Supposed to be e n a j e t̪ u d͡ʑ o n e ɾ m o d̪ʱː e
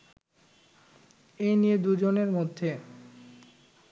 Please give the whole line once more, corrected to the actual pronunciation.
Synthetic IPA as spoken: e n i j e d̪ u d͡ʑ o n e ɾ m o d̪ʱː e